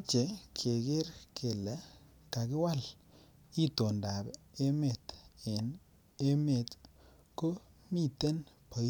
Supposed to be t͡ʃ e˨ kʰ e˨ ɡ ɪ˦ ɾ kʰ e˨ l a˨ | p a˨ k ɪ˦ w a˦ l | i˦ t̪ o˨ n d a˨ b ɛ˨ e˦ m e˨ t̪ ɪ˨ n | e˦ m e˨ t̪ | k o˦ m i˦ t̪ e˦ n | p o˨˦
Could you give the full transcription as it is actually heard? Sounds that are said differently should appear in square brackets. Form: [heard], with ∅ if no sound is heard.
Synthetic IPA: t͡ʃ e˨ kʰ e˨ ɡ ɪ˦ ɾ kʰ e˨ l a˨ | [k] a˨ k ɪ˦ w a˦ l | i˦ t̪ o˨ n d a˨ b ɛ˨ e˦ m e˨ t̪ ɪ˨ n | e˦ m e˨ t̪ | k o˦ m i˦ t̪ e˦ n | p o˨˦